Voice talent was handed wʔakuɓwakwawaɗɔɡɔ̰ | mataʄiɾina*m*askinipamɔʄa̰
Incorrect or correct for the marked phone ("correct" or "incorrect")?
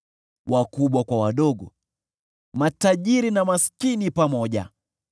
correct